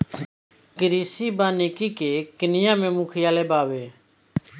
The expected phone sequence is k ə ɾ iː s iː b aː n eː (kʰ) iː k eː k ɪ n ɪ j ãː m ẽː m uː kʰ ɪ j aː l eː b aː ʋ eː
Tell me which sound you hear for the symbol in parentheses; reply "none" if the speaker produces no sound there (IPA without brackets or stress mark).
k